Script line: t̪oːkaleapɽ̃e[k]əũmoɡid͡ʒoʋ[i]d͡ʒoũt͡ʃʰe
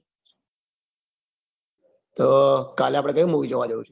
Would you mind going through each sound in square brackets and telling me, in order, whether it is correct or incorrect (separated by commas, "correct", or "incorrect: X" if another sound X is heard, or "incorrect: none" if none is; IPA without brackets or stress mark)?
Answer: correct, incorrect: a